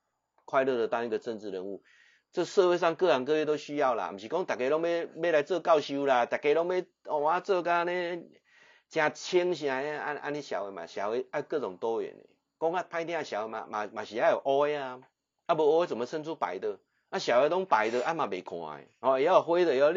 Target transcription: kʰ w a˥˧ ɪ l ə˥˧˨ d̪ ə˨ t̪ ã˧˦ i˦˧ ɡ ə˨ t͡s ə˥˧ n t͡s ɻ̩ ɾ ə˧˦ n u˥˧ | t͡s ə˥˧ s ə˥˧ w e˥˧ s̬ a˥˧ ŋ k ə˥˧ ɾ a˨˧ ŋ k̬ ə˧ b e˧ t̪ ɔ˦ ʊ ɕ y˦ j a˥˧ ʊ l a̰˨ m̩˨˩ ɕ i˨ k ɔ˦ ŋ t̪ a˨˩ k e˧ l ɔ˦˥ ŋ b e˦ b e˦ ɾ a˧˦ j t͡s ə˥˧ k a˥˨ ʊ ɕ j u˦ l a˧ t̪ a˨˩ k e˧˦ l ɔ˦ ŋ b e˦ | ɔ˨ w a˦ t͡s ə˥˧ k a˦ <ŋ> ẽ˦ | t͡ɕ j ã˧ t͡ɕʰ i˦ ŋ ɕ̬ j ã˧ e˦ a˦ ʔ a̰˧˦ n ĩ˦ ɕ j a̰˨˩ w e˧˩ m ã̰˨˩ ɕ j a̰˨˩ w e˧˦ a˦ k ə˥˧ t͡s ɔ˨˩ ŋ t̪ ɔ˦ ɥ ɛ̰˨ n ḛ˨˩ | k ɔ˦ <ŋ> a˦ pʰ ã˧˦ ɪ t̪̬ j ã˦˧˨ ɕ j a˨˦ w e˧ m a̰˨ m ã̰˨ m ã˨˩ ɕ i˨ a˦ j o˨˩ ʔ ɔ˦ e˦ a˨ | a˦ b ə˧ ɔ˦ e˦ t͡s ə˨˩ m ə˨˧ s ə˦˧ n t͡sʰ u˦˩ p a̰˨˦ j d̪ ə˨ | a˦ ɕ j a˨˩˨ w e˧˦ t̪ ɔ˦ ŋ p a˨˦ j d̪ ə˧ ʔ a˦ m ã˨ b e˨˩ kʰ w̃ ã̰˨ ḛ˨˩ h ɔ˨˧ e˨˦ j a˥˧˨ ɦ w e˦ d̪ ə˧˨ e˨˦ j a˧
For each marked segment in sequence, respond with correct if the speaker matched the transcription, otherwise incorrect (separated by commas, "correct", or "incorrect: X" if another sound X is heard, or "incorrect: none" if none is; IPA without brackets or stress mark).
incorrect: n, correct